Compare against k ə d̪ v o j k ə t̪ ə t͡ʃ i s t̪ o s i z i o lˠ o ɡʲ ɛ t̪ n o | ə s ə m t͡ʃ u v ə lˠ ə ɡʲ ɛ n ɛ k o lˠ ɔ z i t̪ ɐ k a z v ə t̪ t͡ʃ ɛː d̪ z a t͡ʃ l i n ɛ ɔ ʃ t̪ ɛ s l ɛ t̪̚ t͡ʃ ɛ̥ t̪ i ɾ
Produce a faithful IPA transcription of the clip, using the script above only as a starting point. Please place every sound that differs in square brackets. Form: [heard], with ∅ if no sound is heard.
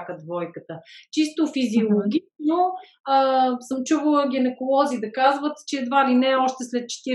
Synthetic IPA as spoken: k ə d̪ v [ɔ] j k ə t̪ ə t͡ʃ i s t̪ o [f] i z i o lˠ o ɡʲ [i] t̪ n o | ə s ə m t͡ʃ u v ə lˠ ə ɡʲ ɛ n ɛ k o lˠ ɔ z i [d̪] ɐ k a z v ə t̪ t͡ʃ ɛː d̪ [v] a [∅] l i n ɛ ɔ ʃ t̪ ɛ s l ɛ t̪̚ t͡ʃ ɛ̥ t̪ i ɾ